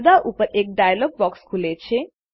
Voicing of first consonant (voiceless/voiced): voiced